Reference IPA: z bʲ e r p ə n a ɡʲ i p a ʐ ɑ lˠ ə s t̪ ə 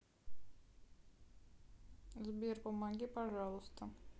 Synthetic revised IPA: z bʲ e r p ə m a ɡʲ i p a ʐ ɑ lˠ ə s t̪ ə